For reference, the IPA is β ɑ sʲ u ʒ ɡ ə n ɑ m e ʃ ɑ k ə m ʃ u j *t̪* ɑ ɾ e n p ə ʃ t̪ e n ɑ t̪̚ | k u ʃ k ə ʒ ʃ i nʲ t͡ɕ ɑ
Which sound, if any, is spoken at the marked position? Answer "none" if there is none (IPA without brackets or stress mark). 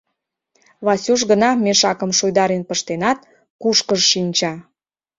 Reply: d̪